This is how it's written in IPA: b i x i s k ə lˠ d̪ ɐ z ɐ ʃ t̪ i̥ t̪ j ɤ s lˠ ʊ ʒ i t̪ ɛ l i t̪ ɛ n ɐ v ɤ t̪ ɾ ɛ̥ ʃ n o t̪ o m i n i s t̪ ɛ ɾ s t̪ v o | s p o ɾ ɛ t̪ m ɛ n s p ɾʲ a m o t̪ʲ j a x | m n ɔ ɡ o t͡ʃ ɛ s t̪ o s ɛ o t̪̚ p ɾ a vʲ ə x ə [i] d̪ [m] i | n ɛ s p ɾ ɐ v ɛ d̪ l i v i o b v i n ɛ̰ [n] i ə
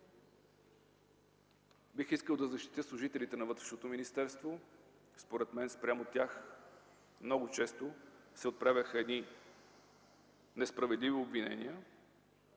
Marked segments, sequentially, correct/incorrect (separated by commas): incorrect, incorrect, correct